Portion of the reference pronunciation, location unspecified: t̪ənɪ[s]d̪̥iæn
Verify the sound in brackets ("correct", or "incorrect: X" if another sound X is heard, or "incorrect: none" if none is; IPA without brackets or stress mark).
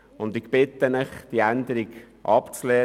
incorrect: χ